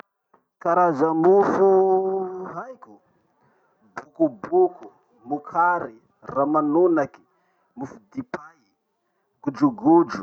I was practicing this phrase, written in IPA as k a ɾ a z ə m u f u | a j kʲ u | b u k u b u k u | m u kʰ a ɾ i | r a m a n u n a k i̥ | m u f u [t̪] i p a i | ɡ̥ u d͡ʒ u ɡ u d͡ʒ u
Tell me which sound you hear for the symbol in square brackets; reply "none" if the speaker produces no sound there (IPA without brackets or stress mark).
d̪